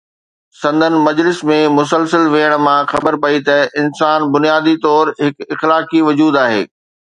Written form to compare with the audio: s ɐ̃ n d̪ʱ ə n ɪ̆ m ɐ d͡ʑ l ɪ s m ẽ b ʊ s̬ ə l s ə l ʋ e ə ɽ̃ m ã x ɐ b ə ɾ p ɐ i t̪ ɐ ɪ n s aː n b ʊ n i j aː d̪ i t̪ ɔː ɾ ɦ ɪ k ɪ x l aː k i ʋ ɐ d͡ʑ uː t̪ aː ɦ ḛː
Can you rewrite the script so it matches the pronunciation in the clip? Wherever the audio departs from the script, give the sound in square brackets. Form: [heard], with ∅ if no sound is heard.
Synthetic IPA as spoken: s ɐ̃ n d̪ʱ ə n ɪ̆ m ɐ d͡ʑ l ɪ s m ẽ [m] ʊ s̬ ə l s ə l ʋ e ə ɽ̃ m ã x ɐ b ə ɾ p ɐ i t̪ ɐ ɪ n s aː n b ʊ n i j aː d̪ i t̪ ɔː ɾ ɦ ɪ k ɪ x l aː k i ʋ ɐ d͡ʑ uː [d̪] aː ɦ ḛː